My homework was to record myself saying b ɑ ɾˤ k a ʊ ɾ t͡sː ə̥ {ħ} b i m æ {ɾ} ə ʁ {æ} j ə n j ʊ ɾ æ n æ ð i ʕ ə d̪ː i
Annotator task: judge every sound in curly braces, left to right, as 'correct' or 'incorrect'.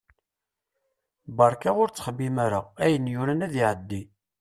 incorrect, correct, correct

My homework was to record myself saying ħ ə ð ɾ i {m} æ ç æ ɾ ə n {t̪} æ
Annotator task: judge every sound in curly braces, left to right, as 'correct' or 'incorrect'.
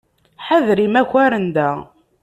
correct, incorrect

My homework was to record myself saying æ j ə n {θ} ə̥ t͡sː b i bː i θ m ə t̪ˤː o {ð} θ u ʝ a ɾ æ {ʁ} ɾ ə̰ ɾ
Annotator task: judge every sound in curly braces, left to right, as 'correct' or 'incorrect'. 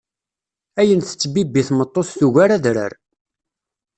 correct, incorrect, incorrect

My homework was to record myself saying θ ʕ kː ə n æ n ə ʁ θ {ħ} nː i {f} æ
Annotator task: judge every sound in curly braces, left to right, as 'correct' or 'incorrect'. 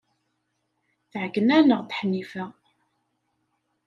correct, correct

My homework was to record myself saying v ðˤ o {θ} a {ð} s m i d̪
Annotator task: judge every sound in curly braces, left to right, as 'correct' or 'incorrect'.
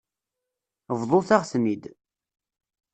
correct, incorrect

